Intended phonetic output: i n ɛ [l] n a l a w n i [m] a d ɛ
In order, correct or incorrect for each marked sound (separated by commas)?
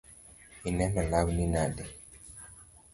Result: incorrect, incorrect